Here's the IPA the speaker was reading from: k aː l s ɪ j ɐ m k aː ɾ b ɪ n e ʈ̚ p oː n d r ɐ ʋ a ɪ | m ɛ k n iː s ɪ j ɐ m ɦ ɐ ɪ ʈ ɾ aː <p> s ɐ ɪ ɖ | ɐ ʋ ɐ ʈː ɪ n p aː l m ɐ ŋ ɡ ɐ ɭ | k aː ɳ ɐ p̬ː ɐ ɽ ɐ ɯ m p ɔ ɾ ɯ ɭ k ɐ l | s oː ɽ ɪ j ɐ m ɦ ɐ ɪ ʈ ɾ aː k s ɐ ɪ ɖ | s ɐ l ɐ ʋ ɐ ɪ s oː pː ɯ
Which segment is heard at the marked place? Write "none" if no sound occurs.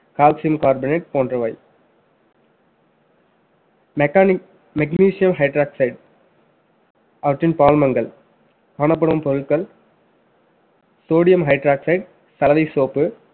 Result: k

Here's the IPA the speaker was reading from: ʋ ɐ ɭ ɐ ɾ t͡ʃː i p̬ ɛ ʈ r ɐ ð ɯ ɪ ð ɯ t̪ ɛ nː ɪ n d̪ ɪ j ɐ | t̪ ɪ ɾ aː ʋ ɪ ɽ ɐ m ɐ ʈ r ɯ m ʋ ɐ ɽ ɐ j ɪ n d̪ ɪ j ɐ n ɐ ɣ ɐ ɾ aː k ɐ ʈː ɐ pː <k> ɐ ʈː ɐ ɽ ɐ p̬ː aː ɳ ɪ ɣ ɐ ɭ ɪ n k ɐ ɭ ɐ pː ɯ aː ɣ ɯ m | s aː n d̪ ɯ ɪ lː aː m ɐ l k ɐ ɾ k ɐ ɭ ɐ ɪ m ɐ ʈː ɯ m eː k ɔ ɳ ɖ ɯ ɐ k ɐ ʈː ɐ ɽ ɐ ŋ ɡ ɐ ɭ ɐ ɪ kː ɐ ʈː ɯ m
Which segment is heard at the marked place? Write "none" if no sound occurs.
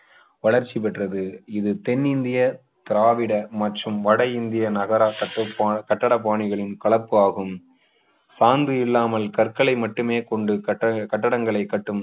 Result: k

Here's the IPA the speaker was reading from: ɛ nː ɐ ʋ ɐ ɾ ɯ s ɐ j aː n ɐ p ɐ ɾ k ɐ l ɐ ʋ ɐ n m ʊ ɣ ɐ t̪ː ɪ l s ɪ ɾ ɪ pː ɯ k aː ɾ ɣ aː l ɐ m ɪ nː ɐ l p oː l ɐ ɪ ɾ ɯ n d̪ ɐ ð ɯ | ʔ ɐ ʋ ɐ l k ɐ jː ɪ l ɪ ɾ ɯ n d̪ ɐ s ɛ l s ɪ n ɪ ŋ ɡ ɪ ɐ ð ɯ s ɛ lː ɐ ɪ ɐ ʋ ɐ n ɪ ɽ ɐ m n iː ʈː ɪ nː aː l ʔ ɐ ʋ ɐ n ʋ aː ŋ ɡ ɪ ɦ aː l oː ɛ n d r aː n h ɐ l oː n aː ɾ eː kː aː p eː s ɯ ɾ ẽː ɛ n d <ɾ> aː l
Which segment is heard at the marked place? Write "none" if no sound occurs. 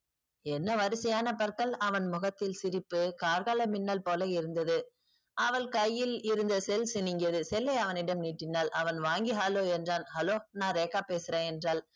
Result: r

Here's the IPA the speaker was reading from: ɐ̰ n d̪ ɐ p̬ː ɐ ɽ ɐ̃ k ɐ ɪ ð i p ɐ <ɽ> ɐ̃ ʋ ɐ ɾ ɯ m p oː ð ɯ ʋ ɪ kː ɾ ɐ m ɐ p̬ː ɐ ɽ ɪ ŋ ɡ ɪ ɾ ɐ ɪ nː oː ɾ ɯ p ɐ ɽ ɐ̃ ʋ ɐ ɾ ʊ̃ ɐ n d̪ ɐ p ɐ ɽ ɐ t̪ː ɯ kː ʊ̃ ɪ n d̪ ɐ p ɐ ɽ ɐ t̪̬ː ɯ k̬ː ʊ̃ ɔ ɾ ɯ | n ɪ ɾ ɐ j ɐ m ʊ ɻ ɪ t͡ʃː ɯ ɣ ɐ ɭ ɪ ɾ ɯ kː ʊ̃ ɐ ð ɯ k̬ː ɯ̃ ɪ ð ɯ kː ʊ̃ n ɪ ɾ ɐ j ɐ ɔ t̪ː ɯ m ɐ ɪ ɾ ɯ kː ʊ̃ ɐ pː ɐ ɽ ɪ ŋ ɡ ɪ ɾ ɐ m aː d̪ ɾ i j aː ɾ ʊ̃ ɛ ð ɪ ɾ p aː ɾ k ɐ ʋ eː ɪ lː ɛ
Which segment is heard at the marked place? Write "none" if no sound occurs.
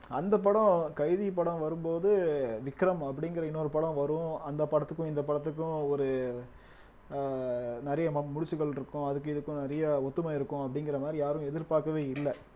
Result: ɽ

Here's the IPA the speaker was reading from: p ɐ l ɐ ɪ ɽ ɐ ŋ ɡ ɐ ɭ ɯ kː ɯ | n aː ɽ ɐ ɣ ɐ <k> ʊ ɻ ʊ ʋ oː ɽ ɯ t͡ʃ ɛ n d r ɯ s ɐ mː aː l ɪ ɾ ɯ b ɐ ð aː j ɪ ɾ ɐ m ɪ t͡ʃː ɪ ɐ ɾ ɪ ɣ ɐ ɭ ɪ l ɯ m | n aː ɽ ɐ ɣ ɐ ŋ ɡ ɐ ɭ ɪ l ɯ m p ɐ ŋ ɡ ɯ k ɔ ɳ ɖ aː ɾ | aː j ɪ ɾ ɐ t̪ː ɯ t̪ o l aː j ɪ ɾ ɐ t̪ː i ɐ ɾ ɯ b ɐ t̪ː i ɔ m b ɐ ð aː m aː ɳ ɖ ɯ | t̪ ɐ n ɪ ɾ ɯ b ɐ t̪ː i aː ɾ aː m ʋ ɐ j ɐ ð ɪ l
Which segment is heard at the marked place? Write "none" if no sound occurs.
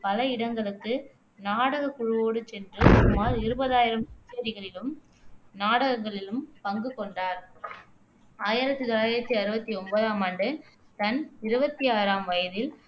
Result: k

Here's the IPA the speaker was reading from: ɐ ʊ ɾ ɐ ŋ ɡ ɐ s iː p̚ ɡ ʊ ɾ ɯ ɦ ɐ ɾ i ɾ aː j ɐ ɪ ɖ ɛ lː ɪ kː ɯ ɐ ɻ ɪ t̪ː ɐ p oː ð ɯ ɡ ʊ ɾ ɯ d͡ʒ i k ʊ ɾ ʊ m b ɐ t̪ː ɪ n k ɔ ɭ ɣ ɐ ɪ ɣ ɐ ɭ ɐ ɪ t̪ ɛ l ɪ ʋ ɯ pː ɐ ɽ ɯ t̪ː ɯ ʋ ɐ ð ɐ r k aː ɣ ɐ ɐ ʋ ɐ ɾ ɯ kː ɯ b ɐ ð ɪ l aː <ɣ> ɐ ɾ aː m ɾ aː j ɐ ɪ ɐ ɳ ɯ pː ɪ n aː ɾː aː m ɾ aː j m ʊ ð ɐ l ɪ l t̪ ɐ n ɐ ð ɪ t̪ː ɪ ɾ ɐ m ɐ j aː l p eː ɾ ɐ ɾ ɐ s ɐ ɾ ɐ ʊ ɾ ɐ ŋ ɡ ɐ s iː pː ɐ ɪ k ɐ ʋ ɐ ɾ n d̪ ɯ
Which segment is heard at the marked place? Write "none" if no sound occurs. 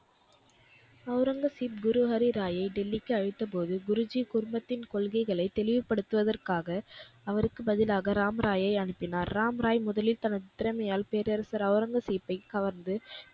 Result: ɣ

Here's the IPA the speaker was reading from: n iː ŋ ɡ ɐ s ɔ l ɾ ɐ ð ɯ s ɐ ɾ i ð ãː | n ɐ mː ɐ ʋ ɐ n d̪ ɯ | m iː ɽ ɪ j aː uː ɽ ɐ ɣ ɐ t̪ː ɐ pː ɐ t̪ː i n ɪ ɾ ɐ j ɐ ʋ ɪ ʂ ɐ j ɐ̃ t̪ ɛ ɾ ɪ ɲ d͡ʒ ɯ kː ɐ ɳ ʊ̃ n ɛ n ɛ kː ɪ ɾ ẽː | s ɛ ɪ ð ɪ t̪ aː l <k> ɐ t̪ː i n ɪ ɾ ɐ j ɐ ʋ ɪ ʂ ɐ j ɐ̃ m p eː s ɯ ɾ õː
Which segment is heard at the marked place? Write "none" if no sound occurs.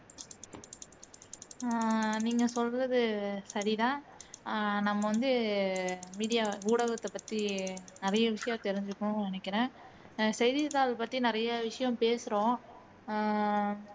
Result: p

